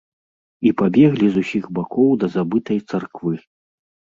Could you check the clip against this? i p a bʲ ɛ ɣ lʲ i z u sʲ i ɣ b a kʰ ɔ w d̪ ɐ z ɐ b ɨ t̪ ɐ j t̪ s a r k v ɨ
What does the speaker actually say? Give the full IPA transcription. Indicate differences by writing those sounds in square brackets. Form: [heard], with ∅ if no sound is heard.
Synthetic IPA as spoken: i p a bʲ ɛ ɣ lʲ i z u sʲ i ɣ b a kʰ ɔ w d̪ ɐ z [a] b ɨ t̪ ɐ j t̪ s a r k v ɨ